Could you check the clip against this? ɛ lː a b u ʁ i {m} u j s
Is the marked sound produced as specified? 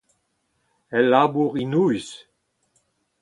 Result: no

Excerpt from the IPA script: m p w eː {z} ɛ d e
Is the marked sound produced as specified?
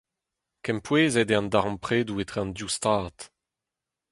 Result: yes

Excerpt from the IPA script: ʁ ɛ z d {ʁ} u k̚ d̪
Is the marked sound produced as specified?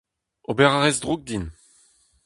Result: yes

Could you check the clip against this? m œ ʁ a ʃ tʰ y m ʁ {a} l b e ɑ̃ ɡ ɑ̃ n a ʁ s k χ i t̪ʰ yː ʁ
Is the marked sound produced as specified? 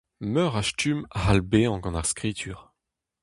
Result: yes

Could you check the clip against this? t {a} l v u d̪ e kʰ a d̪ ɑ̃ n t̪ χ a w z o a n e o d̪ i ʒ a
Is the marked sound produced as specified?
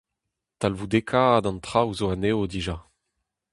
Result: yes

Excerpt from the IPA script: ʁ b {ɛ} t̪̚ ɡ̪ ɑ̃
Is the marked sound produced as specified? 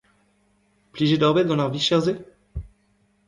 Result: yes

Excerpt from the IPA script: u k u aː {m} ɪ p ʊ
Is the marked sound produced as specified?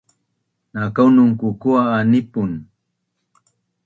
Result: no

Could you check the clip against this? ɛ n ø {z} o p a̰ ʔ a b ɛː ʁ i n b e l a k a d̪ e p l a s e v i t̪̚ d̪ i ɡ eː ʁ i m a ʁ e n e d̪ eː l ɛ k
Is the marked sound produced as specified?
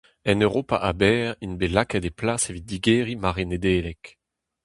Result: no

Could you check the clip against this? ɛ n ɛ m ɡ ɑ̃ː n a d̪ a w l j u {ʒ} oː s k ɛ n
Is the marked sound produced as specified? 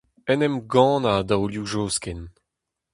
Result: yes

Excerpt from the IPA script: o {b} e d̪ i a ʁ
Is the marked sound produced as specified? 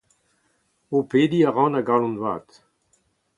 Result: no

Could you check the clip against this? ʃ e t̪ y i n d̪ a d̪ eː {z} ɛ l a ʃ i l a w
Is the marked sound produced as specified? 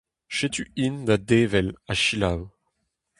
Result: no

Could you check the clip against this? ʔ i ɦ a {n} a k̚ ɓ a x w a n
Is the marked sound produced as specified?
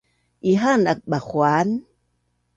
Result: yes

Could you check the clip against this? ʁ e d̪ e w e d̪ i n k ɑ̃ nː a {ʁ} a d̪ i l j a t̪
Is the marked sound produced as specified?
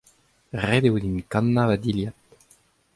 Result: no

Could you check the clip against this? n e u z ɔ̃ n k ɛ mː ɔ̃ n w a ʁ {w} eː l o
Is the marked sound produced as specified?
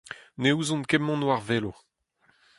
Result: no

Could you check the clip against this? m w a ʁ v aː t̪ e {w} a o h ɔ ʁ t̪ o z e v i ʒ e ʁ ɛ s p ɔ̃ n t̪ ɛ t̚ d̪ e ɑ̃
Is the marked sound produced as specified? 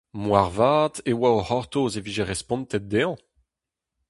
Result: yes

